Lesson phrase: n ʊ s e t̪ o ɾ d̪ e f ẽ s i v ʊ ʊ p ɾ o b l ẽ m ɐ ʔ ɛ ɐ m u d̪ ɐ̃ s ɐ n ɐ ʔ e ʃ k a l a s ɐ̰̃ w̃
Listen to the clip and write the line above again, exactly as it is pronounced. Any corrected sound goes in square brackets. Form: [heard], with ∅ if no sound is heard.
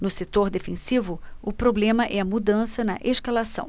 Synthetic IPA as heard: n ʊ s e t̪ o ɾ d̪ e f ẽ s i v ʊ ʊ p ɾ o b l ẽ m ɐ ʔ ɛ ɐ m u d̪ ɐ̃ s ɐ n ɐ ʔ e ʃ k a l a s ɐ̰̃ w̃